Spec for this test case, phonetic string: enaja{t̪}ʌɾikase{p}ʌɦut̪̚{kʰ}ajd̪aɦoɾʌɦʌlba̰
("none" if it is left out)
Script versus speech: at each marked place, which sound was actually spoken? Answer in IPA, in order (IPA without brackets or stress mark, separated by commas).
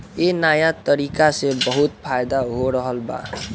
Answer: t̪, b, pʰ